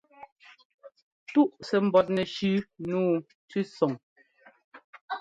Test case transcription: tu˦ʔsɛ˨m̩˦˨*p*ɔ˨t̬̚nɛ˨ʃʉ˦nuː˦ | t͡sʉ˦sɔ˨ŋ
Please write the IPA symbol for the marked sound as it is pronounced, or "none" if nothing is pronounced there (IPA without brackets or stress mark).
b